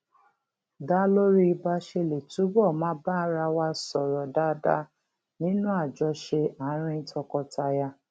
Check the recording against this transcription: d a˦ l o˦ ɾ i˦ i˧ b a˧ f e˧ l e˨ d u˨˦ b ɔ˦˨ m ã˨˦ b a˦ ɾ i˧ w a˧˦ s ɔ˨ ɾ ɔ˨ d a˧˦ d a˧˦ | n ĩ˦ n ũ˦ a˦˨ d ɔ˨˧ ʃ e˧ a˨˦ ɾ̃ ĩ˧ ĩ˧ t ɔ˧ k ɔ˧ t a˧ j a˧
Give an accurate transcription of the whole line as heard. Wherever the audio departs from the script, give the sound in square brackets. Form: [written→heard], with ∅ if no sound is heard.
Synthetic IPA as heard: d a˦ l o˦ ɾ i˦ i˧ b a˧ [f→ʃ] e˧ l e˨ [d→t] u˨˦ b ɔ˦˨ m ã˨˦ b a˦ ɾ [i˧→a˧] w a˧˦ s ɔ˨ ɾ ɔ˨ d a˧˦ d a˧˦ | n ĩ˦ n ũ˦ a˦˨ [d→d͡ʒ] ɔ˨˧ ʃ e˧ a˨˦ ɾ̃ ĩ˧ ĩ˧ t ɔ˧ k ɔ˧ t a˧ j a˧